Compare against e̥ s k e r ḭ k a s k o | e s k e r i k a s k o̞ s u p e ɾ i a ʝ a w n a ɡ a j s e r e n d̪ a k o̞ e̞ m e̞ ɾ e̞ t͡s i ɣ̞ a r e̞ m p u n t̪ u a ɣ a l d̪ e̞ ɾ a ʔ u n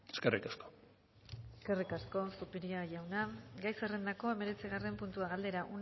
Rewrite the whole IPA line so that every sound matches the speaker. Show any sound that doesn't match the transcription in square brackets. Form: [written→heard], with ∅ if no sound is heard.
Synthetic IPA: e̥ s k e r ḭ k a s k o | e s k e r i k a s k o̞ s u p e ɾ i a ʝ a w n a ɡ a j s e r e n d̪ a k o̞ e̞ m e̞ ɾ e̞ t͡s i ɣ̞ a r e̞ m p u n t̪ u a ɣ a l d̪ e̞ ɾ a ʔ u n

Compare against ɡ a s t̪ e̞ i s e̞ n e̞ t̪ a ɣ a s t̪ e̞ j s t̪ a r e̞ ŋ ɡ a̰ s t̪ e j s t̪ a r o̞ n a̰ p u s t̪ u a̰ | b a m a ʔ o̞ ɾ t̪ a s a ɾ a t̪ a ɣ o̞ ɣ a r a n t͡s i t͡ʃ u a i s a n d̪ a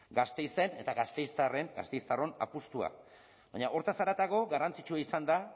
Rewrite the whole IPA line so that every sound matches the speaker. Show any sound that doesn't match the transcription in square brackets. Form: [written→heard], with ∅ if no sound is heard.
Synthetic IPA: ɡ a s t̪ e̞ [i→j] s e̞ n e̞ t̪ a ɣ a s t̪ e̞ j s t̪ a r e̞ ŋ ɡ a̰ s t̪ e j s t̪ a r o̞ n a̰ p u s t̪ u a̰ | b a [m→ɲ] a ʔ o̞ ɾ t̪ a s a ɾ a t̪ a ɣ o̞ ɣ a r a n t͡s i t͡ʃ u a i s a n d̪ a

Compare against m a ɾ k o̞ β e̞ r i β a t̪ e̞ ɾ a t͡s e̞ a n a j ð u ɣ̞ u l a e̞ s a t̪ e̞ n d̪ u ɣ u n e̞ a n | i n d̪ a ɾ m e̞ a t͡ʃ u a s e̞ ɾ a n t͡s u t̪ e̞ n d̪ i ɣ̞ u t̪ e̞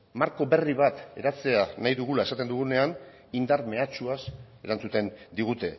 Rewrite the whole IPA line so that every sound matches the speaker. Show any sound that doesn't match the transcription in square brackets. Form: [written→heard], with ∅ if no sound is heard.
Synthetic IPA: m a ɾ k o̞ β e̞ r i β a t̪ e̞ ɾ a t͡s e̞ a n a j ð u ɣ̞ u l a e̞ s a t̪ e̞ n d̪ u ɣ u n e̞ a n | i n d̪ a ɾ m e̞ a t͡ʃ u a s e̞ ɾ a n t͡s u t̪ e̞ n d̪ i ɣ̞ u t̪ e̞

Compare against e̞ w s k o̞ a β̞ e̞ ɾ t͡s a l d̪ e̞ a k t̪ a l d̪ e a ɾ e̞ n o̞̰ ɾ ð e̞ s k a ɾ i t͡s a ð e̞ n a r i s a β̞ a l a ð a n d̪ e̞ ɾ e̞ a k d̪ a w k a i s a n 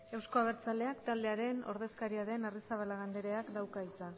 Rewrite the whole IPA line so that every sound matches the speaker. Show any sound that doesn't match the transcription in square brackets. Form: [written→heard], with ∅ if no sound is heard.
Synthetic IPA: e̞ w s k o̞ a β̞ e̞ ɾ t͡s a l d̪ e̞ a k t̪ a l d̪ e a ɾ e̞ n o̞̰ ɾ ð e̞ s k a ɾ i [t͡s→∅] a ð e̞ n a r i s a β̞ a l a [ð→ɣ] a n d̪ e̞ ɾ e̞ a k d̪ a w k a i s a n

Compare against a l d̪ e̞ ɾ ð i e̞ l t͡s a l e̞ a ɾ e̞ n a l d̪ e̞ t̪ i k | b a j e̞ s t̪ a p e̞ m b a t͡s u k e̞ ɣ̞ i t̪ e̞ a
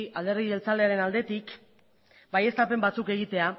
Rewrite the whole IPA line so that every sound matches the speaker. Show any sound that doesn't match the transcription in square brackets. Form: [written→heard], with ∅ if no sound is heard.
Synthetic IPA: a l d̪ e̞ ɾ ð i e̞ l t͡s a l e̞ a ɾ e̞ n a l d̪ e̞ t̪ i k | b a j e̞ s t̪ a p e̞ m b a t͡s u k e̞ ɣ̞ i t̪ e̞ a

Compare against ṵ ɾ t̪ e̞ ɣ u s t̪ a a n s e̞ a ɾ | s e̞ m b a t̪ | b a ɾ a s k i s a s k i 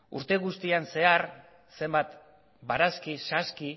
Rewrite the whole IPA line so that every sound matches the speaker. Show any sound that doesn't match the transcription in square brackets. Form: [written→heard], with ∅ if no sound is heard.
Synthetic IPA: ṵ ɾ t̪ e̞ ɣ u s t̪ [a→i] a n s e̞ a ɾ | s e̞ m b a t̪ | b a ɾ a s k i s a s k i

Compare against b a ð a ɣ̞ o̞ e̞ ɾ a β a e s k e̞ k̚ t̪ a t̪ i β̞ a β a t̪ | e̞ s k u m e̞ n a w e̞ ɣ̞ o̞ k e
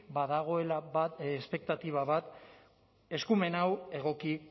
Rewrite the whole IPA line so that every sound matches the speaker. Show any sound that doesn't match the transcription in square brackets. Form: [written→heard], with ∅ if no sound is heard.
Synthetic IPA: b a ð a ɣ̞ o̞ e̞ [ɾ→l] a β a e s [k→p] e̞ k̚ t̪ a t̪ i β̞ a β a t̪ | e̞ s k u m e̞ n a w e̞ ɣ̞ o̞ k [e→i]

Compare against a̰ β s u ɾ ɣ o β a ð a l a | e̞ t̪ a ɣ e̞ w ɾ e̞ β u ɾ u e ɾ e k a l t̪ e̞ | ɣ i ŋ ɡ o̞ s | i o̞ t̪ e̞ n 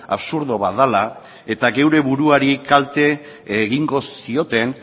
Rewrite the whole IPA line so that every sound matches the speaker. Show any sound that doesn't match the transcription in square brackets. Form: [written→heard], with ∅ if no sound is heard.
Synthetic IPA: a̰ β s u ɾ [ɣ→ð] o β a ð a l a | e̞ t̪ a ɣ e̞ w ɾ e̞ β u ɾ u [e→a] ɾ [e→i] k a l t̪ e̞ | ɣ i ŋ ɡ o̞ s | i o̞ t̪ e̞ n

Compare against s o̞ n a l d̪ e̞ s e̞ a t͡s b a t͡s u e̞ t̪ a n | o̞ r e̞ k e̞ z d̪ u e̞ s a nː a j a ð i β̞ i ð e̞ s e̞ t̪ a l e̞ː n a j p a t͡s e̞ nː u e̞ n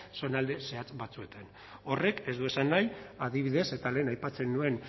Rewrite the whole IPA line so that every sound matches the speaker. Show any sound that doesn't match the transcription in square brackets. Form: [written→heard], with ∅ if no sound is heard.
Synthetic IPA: s o̞ n a l d̪ e̞ s e̞ a t͡s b a t͡s u e̞ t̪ a n | o̞ r e̞ k e̞ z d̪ u e̞ s a nː a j a ð i β̞ i ð e̞ s e̞ t̪ a l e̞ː n a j p a t͡s e̞ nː u e̞ n

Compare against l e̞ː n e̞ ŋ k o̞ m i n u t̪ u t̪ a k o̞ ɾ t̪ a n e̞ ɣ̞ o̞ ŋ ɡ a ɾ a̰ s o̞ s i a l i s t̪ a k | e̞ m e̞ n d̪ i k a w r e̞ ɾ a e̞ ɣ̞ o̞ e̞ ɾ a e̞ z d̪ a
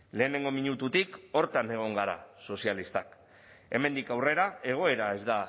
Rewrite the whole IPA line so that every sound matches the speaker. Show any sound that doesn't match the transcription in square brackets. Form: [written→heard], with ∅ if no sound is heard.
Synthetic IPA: l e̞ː n e̞ ŋ [k→ɡ] o̞ m i [n→ɲ] u t̪ u t̪ [a→i] k o̞ ɾ t̪ a n e̞ ɣ̞ o̞ ŋ ɡ a ɾ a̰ s o̞ s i a l i s t̪ a k | e̞ m e̞ n d̪ i k a w r e̞ ɾ a e̞ ɣ̞ o̞ e̞ ɾ a e̞ z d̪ a

